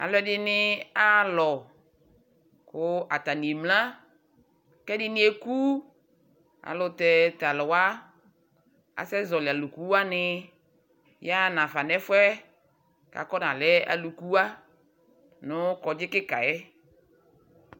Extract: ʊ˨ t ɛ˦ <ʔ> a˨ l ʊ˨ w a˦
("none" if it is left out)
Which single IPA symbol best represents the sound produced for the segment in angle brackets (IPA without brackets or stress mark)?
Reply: t